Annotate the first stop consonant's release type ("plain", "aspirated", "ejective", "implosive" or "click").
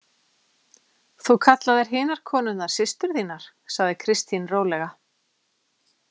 aspirated